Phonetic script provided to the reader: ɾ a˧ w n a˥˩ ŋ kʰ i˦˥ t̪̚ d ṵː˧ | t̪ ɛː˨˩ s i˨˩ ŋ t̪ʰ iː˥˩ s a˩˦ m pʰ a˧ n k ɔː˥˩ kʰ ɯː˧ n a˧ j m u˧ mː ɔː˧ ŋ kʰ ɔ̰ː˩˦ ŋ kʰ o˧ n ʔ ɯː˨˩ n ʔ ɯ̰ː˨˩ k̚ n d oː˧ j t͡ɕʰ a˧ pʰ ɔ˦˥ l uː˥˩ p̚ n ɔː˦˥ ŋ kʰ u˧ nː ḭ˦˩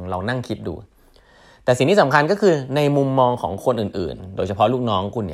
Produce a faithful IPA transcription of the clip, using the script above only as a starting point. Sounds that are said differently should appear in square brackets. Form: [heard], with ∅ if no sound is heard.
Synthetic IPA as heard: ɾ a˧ w n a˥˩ ŋ kʰ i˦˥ t̪̚ d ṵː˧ | t̪ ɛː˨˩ s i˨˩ ŋ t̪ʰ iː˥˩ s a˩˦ m [kʰ] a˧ n k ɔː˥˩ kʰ ɯː˧ n a˧ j m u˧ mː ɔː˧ ŋ kʰ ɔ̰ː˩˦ ŋ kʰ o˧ n ʔ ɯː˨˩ n ʔ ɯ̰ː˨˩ [∅] n d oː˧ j t͡ɕʰ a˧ pʰ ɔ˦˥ l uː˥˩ [k̚] n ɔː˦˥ ŋ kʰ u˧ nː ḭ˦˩